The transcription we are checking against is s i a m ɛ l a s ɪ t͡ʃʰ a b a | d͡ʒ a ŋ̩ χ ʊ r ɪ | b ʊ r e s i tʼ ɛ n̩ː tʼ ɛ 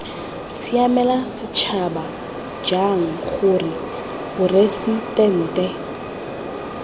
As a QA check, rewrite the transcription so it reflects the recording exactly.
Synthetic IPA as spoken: s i a m ɛ l a s ɪ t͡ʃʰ a b a | d͡ʒ a ŋ̩ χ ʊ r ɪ | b ʊ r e s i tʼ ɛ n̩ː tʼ ɛ